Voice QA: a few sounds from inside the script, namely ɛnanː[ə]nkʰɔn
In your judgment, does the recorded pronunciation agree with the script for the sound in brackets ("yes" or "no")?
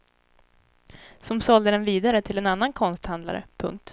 no